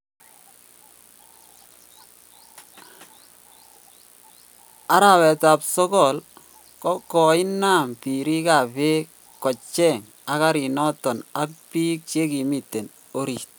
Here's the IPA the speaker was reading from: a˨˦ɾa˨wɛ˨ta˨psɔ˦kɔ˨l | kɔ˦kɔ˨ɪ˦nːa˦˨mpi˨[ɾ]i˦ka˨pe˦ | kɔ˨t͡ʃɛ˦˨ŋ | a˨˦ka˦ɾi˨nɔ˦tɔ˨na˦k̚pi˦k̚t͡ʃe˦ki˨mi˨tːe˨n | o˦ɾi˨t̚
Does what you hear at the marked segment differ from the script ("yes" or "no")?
no